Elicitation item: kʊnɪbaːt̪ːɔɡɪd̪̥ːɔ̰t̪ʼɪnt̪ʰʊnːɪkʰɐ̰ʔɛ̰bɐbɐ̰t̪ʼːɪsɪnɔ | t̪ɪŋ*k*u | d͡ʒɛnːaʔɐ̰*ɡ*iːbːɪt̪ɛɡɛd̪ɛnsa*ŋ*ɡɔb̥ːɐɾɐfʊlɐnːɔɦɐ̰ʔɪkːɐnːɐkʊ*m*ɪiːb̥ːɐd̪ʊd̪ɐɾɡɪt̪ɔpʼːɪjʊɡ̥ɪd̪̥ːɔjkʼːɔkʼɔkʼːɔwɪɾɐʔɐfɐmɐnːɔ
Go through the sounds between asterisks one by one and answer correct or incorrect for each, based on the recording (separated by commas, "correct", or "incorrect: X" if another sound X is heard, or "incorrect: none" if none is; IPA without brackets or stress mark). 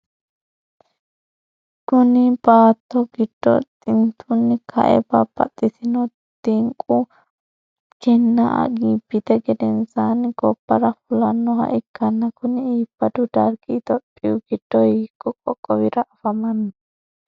incorrect: kʼ, correct, incorrect: n, incorrect: n